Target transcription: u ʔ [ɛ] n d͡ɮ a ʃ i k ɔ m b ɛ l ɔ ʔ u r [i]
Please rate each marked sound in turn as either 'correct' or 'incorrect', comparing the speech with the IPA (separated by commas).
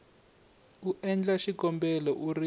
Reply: correct, correct